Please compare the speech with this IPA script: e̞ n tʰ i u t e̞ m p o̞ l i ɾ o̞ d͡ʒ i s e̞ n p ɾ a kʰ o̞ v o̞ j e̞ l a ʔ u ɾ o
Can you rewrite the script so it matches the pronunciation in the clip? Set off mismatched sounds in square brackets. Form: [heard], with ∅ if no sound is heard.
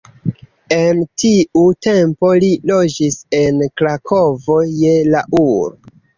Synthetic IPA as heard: e̞ n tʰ i u t e̞ m p o̞ l i [l] o̞ d͡ʒ i s e̞ n [k] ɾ a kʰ o̞ v o̞ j e̞ l a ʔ u ɾ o